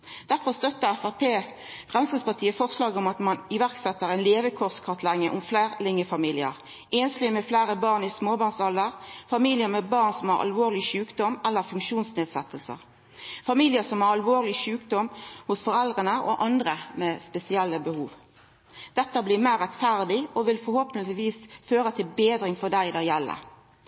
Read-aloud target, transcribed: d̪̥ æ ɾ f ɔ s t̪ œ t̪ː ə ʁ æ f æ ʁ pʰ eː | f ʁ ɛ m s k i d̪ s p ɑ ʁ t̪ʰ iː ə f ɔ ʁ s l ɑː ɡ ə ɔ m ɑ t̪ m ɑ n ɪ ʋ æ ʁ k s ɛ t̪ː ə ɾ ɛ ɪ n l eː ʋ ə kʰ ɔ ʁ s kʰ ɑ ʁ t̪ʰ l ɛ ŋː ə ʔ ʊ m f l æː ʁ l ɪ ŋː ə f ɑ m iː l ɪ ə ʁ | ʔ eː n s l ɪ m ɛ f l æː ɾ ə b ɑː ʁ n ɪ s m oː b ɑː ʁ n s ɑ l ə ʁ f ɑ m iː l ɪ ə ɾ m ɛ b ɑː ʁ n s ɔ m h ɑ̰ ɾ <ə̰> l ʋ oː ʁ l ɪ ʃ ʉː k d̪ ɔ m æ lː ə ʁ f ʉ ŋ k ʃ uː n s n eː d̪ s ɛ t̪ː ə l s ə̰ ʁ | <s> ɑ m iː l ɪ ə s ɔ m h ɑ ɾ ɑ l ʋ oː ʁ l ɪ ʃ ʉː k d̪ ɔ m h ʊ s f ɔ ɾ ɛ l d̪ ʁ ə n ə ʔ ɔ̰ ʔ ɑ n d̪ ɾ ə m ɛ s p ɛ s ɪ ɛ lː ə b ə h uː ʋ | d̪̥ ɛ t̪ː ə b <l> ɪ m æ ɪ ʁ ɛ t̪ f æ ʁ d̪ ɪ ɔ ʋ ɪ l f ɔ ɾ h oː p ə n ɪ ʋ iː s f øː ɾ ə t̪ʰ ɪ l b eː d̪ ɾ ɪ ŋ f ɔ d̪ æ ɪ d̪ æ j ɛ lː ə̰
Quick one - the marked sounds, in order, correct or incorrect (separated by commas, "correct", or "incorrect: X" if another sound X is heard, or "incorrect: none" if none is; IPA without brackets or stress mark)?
incorrect: ɑ̰, incorrect: f, correct